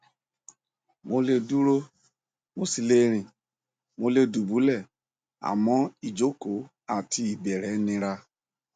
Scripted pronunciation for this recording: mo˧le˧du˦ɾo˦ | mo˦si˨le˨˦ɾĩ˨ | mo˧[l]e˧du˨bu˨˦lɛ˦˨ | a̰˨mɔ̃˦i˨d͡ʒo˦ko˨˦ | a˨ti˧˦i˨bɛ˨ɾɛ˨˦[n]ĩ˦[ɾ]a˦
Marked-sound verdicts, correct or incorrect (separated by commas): correct, correct, correct